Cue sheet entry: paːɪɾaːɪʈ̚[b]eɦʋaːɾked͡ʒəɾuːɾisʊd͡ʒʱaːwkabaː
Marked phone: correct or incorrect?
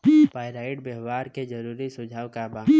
correct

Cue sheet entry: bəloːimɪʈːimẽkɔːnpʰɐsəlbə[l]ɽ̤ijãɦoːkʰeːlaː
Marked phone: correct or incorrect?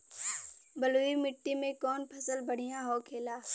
incorrect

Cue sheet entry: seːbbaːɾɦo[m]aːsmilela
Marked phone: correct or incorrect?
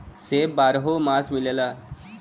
correct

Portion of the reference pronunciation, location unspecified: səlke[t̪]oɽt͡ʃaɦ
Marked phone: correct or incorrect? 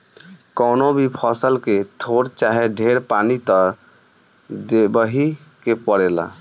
incorrect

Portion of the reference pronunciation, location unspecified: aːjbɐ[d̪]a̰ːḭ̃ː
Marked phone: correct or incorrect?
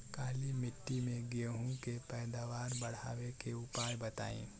incorrect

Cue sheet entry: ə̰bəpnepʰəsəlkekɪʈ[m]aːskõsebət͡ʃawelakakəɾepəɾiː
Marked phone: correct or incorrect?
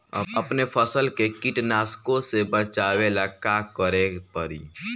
incorrect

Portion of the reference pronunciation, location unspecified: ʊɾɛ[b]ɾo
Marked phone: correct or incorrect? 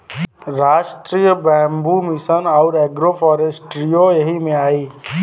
incorrect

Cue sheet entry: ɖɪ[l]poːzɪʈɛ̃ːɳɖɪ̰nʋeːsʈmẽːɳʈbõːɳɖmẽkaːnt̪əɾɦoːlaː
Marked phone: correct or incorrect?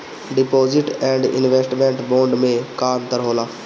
incorrect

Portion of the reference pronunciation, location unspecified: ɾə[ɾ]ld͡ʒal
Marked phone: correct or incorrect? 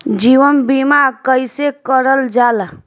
incorrect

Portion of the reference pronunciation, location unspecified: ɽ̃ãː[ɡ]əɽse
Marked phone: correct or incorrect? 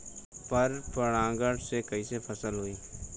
correct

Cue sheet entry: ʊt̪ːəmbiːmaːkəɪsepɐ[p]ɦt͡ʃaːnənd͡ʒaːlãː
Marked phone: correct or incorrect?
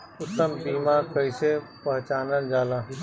incorrect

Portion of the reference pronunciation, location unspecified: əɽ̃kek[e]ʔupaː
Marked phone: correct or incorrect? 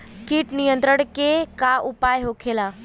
incorrect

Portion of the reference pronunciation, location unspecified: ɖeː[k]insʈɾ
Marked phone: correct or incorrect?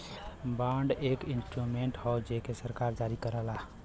correct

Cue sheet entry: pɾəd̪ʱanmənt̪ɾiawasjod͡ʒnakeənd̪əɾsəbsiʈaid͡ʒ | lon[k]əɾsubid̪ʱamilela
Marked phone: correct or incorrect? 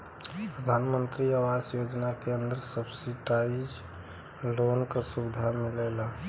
correct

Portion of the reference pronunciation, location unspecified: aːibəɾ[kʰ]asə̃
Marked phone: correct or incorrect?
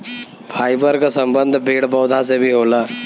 incorrect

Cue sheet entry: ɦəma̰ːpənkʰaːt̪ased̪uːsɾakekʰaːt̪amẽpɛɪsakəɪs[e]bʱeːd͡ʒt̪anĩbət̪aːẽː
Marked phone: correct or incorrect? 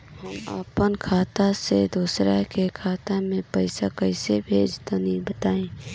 correct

